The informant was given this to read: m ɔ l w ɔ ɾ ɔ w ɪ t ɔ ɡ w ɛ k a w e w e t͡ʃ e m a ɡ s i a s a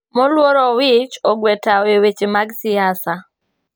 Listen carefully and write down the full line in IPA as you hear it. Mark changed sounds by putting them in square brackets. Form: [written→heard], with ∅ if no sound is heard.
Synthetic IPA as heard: m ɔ l w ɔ ɾ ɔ w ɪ [t→t͡ʃ] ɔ ɡ w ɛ [k→t] a w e w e t͡ʃ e m a ɡ s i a s a